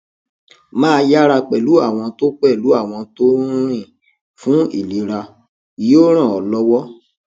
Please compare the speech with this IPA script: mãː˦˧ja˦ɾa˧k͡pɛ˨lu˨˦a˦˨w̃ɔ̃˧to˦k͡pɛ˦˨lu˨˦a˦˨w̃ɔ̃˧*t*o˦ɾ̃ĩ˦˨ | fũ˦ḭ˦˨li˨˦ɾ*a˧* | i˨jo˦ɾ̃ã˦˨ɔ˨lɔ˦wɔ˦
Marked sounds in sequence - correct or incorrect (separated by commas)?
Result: correct, correct